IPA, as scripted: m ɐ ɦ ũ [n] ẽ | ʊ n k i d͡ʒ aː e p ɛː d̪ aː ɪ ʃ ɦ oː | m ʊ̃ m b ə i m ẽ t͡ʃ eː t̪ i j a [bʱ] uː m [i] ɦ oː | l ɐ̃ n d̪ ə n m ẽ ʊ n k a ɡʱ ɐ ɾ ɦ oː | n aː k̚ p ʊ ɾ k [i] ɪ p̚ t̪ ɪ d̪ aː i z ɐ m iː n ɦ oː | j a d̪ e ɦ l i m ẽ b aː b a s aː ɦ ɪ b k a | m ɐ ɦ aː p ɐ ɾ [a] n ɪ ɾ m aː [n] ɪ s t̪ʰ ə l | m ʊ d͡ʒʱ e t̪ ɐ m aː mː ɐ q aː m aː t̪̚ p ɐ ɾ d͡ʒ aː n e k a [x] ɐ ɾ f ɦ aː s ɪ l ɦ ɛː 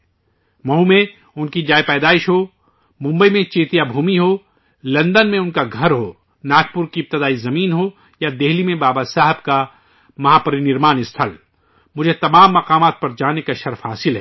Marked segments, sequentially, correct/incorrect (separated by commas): incorrect, correct, correct, correct, incorrect, correct, incorrect